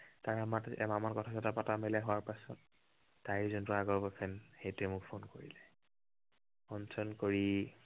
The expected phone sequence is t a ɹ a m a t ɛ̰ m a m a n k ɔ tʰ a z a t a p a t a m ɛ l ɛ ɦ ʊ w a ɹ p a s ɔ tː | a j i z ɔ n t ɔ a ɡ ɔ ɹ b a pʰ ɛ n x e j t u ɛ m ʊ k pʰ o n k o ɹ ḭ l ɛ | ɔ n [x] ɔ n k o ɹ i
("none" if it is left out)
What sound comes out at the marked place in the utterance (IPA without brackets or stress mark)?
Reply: s